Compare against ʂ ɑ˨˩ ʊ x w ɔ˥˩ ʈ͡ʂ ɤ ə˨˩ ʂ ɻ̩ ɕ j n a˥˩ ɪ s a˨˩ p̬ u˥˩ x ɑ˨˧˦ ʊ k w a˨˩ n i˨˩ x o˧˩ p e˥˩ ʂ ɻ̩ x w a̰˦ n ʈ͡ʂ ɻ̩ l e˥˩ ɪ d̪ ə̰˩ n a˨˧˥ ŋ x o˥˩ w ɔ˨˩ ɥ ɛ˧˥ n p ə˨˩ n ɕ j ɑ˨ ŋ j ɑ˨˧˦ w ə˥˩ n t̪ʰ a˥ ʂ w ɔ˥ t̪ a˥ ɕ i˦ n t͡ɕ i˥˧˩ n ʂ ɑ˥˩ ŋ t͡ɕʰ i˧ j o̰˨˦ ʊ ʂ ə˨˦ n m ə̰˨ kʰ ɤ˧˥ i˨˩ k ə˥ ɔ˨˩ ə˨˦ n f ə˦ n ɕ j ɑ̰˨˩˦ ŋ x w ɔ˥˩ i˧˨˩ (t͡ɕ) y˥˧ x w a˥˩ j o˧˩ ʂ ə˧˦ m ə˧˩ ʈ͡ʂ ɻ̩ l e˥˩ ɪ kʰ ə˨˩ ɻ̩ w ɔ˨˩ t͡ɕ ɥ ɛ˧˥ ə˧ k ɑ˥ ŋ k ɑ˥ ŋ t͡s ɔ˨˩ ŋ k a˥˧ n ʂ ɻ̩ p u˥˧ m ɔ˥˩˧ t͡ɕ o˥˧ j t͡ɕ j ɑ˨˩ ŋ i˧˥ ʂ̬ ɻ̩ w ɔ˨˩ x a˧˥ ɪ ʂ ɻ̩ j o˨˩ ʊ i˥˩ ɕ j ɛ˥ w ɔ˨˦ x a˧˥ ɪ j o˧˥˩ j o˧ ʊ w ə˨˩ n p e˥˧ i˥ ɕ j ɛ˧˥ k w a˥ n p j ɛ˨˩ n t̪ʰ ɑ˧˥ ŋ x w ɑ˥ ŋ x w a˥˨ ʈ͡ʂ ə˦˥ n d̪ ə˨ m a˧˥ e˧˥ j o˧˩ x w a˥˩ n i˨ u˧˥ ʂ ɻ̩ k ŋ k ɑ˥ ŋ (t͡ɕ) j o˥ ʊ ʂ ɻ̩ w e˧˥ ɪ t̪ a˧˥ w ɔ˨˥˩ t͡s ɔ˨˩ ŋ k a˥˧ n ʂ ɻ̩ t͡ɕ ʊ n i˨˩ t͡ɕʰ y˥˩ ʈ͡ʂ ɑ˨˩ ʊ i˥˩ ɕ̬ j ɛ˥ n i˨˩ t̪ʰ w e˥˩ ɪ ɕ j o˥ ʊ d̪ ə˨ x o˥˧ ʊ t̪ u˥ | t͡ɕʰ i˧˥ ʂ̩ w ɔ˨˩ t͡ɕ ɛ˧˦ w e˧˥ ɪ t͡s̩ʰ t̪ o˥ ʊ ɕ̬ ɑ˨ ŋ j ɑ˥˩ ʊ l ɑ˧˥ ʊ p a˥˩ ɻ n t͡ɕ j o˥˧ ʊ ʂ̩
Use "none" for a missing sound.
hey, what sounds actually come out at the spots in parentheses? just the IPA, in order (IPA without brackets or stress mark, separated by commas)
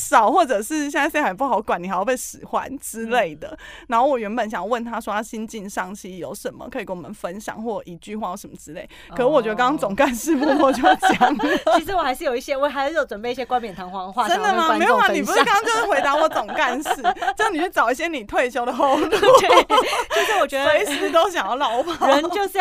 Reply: t͡ɕ, t͡ɕ